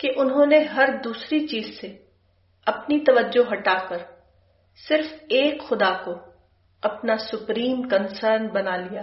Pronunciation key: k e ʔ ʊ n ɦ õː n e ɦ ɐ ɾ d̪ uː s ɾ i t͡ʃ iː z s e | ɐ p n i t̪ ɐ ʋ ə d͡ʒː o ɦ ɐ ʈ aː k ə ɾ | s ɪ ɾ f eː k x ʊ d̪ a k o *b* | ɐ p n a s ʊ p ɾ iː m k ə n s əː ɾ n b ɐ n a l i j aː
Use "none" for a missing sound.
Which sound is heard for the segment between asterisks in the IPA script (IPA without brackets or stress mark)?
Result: none